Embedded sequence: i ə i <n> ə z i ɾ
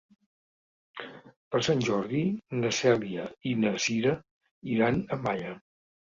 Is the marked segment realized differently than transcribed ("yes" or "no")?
no